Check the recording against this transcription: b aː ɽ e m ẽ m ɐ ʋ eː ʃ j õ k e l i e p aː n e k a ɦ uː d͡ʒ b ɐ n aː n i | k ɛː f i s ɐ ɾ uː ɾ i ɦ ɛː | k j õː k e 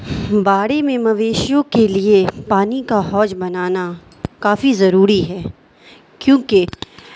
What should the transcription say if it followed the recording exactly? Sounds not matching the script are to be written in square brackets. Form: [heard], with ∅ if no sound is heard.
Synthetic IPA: b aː ɽ e m ẽ m ɐ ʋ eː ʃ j õ k e l i e p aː n [i] k a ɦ [ɔː] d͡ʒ b ɐ n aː n [a] | k [aː] f i [z] ɐ ɾ uː ɾ i ɦ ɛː | k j õː k e